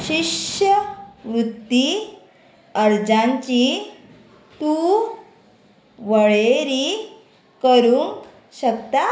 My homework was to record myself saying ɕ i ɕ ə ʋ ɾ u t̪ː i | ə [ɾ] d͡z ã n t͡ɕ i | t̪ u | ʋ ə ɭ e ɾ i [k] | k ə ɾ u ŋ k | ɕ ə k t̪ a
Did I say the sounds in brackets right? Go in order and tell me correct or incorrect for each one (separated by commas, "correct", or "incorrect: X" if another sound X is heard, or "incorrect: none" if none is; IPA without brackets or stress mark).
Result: correct, incorrect: none